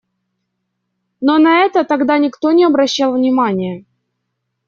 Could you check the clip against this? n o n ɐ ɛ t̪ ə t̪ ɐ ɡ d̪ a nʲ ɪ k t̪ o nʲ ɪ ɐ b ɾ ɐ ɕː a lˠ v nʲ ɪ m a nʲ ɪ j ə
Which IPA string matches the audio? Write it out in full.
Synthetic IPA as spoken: n o n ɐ ɛ t̪ ə t̪ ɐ ɡ d̪ a nʲ ɪ k t̪ o nʲ ɪ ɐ b ɾ ɐ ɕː a lˠ v nʲ ɪ m a nʲ ɪ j ə